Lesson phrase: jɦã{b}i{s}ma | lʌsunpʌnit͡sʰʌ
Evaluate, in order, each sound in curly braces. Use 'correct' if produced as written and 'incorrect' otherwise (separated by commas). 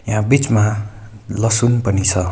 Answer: correct, incorrect